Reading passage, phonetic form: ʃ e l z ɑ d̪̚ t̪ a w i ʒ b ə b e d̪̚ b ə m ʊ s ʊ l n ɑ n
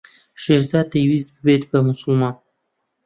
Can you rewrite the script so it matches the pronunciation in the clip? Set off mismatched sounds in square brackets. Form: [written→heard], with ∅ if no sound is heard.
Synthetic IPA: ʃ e [l→ɾ] z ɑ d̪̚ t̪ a w i [ʒ→z] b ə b e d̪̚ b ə m ʊ s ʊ l [n→m] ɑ n